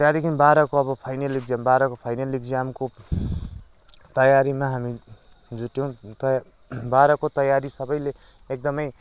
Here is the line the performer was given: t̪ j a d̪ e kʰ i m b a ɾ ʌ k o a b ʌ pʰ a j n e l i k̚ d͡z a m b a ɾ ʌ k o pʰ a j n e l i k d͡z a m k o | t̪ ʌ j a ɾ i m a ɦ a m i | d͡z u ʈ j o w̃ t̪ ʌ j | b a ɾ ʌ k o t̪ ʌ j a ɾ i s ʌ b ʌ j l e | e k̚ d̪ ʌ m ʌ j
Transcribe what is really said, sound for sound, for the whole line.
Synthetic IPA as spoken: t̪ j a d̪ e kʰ i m b a ɾ ʌ k o ʌ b ʌ pʰ a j n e l i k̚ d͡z a m b a ɾ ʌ k o pʰ a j n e l i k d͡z a m k o | t̪ ʌ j a ɾ i m a ɦ a m i | d͡z u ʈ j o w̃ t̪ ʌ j | b a ɾ ʌ k o t̪ ʌ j a ɾ i s ʌ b ʌ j l e | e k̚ d̪ ʌ m ʌ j